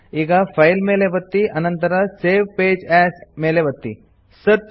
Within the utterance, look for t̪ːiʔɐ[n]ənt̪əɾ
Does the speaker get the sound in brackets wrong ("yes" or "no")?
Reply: no